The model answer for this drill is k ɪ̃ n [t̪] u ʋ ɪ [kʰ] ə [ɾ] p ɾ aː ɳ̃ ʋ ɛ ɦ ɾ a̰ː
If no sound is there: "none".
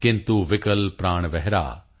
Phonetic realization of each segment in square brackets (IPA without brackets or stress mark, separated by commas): t̪, k, l